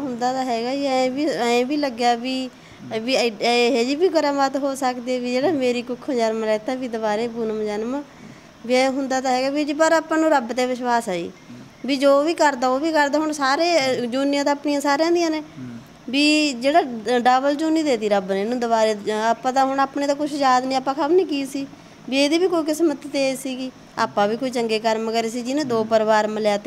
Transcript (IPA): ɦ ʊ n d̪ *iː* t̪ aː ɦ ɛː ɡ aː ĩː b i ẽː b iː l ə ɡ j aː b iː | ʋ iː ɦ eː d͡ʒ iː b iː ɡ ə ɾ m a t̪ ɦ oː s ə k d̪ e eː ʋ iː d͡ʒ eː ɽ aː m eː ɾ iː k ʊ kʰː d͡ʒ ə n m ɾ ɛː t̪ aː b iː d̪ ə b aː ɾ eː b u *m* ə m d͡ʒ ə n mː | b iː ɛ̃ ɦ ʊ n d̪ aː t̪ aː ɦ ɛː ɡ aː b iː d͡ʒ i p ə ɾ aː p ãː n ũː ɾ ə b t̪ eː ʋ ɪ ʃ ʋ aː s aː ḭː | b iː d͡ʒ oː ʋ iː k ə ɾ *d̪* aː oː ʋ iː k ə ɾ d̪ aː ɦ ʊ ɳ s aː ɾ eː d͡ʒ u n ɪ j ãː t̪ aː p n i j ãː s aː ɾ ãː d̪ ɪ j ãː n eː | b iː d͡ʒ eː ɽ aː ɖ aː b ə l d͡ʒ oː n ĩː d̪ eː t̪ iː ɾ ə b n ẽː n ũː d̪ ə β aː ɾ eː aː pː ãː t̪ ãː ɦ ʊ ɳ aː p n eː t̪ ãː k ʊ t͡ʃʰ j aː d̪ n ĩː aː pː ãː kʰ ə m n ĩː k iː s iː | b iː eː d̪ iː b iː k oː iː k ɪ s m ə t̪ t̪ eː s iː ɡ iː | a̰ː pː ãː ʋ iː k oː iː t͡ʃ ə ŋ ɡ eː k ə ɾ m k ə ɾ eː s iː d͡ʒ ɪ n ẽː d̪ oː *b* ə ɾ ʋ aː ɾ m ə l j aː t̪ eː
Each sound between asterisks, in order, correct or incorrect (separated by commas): incorrect, incorrect, correct, incorrect